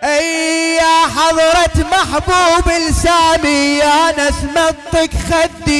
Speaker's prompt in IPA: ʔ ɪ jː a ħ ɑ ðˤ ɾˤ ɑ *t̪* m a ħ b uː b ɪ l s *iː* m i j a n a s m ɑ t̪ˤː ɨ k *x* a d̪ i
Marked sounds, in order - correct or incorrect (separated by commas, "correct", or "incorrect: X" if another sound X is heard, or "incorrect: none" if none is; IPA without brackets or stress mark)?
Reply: correct, incorrect: aː, correct